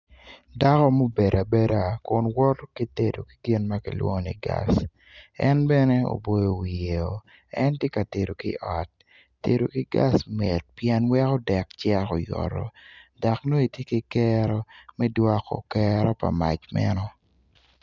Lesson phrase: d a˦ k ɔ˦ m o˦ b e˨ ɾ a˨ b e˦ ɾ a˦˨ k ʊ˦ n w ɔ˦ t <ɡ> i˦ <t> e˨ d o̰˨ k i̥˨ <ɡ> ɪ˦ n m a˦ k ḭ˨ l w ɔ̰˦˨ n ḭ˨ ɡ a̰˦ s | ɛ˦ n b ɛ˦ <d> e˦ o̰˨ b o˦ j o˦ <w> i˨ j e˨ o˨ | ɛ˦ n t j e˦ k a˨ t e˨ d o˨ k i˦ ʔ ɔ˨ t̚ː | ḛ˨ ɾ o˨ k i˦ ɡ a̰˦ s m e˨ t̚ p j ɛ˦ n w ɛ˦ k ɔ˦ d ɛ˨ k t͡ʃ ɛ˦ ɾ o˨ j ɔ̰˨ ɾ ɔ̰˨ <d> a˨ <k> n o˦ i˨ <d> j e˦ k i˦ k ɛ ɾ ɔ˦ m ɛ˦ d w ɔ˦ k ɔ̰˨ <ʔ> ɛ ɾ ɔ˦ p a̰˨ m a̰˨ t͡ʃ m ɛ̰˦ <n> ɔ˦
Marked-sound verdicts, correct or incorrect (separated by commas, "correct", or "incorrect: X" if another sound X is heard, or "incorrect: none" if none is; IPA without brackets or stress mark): incorrect: k, correct, correct, incorrect: n, correct, correct, correct, incorrect: t, incorrect: k, correct